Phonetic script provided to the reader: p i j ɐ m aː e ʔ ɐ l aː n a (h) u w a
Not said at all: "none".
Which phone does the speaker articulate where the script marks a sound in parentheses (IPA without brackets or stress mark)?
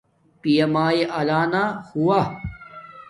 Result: h